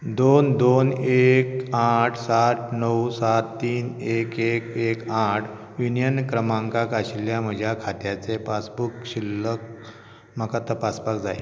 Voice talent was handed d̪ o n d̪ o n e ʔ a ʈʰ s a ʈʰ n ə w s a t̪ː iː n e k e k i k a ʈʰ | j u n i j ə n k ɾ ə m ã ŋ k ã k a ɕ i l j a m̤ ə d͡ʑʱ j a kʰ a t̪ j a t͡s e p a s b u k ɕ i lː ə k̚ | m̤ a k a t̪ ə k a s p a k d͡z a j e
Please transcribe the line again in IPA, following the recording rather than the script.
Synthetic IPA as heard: d̪ o n d̪ o n e k a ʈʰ s a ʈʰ n ə w s a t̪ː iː n e k e k e k a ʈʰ | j u n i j ə n k ɾ ə m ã ŋ k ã k a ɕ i l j a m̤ ə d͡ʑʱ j a kʰ a t̪ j a t͡s e p a s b u k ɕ i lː ə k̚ | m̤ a k a t̪ ə p a s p a k d͡z a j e